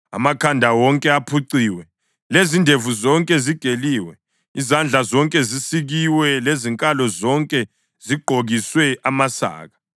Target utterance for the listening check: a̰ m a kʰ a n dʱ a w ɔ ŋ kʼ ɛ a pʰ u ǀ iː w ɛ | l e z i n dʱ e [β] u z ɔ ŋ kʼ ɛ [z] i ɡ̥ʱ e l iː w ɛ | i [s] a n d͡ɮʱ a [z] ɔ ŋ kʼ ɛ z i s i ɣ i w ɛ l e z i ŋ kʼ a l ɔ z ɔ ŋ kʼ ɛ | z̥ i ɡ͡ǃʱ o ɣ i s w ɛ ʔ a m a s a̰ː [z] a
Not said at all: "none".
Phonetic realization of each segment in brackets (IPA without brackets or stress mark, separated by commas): v, z, z, z, ɣ